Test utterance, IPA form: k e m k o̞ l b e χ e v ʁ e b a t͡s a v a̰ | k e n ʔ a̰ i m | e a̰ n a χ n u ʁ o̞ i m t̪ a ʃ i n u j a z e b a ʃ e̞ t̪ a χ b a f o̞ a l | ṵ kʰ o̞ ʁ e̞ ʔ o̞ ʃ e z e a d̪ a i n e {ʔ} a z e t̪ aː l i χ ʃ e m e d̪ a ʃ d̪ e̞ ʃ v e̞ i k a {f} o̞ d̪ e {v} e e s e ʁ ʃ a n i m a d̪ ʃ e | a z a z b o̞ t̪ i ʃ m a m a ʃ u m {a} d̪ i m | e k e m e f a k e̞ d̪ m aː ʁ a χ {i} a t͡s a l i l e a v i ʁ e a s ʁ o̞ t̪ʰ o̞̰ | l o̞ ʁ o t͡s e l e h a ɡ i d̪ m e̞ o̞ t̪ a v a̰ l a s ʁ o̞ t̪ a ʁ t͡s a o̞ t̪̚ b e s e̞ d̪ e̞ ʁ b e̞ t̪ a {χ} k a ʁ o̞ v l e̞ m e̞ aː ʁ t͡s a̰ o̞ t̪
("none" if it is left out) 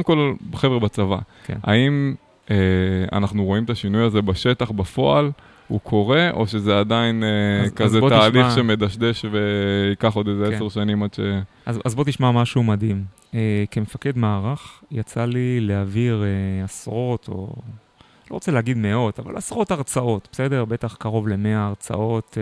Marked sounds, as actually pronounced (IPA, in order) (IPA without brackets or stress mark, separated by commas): k, χ, z, a, j, χ